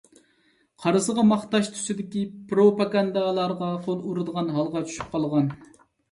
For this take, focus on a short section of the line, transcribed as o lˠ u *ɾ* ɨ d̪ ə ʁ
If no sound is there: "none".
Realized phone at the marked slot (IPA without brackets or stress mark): ɾ